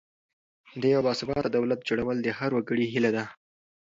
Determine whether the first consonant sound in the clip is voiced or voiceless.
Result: voiced